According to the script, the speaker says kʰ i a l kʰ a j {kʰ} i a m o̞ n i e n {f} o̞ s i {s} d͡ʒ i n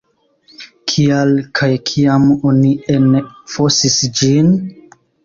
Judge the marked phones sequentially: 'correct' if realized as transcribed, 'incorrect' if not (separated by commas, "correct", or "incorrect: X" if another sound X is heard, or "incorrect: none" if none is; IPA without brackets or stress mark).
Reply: correct, correct, correct